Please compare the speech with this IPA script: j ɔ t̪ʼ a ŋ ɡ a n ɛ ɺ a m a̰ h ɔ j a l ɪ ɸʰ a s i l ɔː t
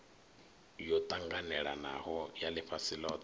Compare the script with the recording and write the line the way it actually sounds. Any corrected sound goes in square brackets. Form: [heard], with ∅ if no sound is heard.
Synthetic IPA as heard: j ɔ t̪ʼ a ŋ ɡ a n ɛ ɺ a [n] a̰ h ɔ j a l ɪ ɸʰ a s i l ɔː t